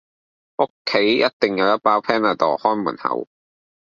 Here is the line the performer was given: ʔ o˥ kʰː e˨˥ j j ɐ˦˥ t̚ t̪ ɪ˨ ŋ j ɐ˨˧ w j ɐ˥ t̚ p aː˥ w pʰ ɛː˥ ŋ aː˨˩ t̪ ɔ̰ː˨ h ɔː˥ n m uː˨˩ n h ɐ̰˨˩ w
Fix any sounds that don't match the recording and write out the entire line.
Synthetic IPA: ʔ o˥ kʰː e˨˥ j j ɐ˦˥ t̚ t̪ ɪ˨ ŋ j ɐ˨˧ w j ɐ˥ t̚ p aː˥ w pʰ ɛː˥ n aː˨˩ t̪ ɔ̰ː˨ h ɔː˥ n m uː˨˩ n h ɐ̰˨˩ w